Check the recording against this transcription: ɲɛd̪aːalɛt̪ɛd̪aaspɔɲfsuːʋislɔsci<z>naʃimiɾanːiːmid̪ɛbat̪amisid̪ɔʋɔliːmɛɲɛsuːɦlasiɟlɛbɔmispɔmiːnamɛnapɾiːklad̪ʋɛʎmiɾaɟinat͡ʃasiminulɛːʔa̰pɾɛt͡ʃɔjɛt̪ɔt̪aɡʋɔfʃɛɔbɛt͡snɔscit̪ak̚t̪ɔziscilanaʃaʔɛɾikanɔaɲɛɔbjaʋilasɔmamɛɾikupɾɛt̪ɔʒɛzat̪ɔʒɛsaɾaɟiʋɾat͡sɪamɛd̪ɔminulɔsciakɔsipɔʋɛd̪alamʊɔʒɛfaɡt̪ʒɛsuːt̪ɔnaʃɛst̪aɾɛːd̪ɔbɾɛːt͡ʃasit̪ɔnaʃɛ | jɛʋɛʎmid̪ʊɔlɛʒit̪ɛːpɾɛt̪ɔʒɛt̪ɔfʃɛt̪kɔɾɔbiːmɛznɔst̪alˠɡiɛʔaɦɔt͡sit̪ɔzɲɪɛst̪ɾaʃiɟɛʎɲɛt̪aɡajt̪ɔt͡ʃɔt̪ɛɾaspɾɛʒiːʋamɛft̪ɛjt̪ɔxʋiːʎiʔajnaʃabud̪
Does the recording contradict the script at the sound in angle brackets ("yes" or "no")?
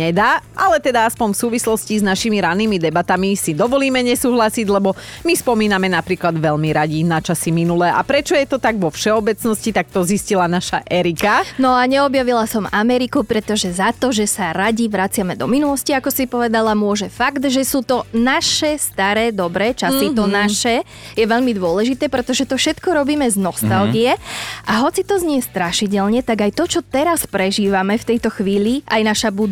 no